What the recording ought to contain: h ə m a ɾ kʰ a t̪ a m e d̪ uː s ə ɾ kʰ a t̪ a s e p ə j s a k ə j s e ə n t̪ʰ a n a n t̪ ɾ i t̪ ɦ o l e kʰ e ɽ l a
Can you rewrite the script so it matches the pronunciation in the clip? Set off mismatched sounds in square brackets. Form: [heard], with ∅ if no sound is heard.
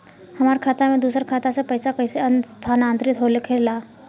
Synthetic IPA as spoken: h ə m a ɾ kʰ a t̪ a m e d̪ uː s ə ɾ kʰ a t̪ a s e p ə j s a k ə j s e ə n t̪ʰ a n a n t̪ ɾ i t̪ ɦ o l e kʰ e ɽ l a